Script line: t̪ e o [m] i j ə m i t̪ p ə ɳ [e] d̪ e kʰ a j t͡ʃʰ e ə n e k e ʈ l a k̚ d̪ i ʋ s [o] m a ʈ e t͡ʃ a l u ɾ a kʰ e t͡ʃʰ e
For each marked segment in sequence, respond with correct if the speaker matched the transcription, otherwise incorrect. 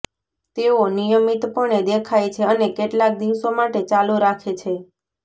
incorrect, correct, correct

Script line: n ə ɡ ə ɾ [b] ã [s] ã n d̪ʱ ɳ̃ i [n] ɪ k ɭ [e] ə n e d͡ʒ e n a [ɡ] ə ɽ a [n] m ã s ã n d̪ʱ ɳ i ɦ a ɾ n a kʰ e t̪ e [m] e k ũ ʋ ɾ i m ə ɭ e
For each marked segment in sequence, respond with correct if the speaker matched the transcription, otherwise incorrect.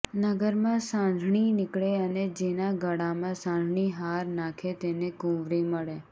incorrect, correct, correct, correct, correct, incorrect, incorrect

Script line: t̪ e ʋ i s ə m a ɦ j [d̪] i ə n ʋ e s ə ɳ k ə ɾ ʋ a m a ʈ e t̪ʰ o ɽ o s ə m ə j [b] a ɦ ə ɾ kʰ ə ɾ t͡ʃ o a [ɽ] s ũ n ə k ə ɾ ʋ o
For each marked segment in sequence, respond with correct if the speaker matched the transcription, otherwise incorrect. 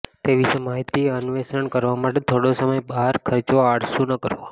incorrect, correct, correct

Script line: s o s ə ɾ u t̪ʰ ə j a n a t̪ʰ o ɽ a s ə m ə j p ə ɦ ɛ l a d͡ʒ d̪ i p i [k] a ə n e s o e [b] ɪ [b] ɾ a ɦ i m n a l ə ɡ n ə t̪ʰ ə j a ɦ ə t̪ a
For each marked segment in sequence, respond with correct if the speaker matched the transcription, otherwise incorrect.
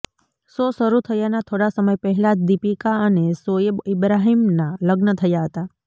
correct, correct, correct

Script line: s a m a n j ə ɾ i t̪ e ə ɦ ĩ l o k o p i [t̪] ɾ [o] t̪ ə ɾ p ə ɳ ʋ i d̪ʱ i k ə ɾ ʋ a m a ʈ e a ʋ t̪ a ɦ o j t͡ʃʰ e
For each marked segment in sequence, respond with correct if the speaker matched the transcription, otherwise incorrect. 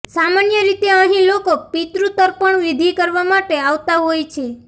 correct, incorrect

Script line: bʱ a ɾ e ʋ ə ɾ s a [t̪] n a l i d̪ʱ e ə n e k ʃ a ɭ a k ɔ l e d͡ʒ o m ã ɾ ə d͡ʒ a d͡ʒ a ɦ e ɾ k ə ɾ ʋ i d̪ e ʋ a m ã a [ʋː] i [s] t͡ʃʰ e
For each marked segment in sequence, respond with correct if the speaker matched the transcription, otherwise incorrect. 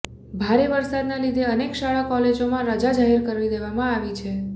incorrect, incorrect, incorrect

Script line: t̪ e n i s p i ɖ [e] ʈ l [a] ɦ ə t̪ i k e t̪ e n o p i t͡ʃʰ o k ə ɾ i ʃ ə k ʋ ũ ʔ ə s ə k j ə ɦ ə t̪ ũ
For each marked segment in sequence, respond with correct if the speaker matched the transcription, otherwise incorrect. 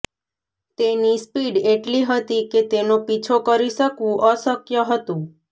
correct, incorrect

